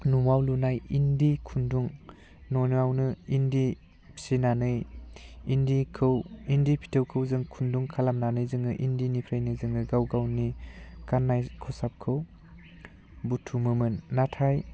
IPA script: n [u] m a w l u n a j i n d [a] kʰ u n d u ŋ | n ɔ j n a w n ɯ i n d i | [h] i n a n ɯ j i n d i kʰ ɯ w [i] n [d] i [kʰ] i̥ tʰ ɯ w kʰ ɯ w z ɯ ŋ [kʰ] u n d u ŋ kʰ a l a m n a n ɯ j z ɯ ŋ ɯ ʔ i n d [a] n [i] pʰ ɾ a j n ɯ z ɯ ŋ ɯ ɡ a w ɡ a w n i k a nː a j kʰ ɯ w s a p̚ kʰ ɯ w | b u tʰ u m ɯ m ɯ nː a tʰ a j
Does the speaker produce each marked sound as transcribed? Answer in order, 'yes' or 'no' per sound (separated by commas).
yes, no, no, yes, yes, no, yes, no, yes